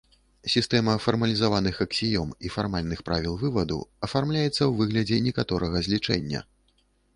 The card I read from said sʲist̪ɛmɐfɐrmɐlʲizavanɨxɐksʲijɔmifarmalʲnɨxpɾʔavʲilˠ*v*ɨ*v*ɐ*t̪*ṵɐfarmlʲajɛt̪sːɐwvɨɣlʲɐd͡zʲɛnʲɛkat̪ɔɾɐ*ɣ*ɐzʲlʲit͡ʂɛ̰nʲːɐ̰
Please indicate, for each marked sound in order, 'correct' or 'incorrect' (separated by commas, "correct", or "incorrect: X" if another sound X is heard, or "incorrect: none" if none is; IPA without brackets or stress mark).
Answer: correct, correct, incorrect: d̪, correct